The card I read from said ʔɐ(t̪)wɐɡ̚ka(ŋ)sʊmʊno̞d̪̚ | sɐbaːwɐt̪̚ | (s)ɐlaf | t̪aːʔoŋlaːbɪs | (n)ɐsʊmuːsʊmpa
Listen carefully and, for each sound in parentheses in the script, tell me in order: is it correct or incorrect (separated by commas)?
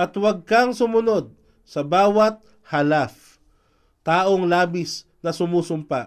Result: correct, correct, incorrect, correct